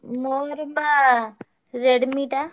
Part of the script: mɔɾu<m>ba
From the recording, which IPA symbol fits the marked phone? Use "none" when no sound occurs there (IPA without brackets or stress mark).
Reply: m